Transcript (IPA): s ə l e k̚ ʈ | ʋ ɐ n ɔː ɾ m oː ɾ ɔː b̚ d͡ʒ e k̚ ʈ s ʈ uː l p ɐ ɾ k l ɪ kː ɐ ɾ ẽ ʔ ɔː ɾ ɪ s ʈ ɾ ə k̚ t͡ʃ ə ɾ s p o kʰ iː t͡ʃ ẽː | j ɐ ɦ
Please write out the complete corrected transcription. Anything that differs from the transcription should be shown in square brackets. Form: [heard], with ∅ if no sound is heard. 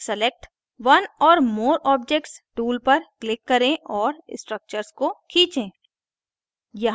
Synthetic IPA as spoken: s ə l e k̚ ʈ | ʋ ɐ n ɔː ɾ m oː ɾ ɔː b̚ d͡ʒ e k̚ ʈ s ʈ uː l p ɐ ɾ k l ɪ kː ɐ ɾ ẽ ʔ ɔː ɾ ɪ s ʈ ɾ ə k̚ t͡ʃ ə ɾ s [k] o kʰ iː t͡ʃ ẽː | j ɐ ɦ